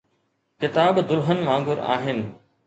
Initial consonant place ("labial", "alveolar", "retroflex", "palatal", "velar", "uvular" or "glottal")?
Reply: velar